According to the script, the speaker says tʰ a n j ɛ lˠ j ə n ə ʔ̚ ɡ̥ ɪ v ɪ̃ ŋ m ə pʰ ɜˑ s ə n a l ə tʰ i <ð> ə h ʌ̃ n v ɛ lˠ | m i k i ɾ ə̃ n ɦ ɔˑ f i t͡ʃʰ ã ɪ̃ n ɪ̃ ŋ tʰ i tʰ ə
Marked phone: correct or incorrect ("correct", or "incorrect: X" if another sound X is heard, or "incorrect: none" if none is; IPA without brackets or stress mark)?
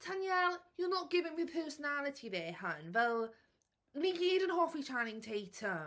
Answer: correct